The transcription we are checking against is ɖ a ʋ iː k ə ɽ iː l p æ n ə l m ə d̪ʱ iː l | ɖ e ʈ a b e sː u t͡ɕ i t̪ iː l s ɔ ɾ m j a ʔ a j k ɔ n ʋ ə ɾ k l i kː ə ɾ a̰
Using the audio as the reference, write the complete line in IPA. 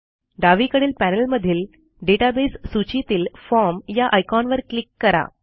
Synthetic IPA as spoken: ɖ a ʋ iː k ə ɽ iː l p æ n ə l m ə d̪ʱ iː l | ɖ e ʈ a b e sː u t͡ɕ i t̪ iː l f ɔ ɾ m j a ʔ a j k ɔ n ʋ ə ɾ k l i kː ə ɾ a̰